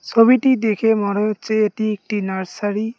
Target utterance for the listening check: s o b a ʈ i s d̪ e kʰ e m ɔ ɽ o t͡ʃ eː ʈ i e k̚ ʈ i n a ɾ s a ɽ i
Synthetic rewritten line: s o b i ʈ i d̪ e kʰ e m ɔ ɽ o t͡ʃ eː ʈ i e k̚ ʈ i n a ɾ s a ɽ i